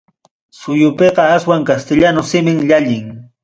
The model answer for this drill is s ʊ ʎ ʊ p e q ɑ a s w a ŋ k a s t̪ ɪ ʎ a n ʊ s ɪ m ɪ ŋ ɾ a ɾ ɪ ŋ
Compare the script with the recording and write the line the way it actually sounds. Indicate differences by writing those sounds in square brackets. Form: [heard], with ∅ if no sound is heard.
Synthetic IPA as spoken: s ʊ [j] ʊ p e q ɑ a s w a ŋ k a s t̪ ɪ ʎ a n ʊ s ɪ m ɪ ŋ [ʎ] a [ʎ] ɪ ŋ